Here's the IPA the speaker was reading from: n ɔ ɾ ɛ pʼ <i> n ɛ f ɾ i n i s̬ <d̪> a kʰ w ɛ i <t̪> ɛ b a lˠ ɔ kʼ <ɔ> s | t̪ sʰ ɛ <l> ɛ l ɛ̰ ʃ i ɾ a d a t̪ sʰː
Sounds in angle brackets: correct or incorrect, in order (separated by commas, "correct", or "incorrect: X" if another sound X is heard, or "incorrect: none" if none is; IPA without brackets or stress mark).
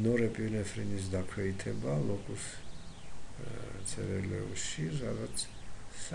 correct, correct, incorrect: t̪ʰ, incorrect: u, incorrect: ɾ